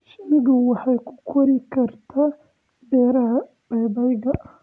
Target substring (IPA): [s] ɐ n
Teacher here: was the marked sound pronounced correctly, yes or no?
no